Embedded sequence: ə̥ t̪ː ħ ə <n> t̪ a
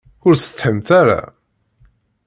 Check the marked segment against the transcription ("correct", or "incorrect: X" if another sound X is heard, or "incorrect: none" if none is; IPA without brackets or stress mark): incorrect: m